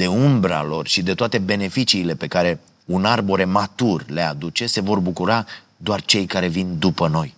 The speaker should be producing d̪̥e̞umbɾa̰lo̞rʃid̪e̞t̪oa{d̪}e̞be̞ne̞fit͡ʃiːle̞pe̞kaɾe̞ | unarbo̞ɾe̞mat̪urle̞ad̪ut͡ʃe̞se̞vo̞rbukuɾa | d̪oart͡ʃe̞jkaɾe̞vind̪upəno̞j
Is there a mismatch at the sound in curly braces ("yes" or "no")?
yes